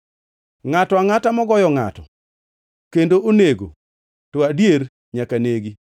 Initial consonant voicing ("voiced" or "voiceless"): voiced